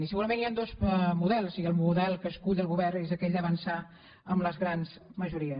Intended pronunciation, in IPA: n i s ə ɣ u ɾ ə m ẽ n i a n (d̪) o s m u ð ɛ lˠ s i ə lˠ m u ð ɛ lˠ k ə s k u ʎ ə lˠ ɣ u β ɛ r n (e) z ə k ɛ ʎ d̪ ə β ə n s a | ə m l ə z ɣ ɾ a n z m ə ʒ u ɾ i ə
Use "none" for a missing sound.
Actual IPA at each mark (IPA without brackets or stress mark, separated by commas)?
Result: d̪, e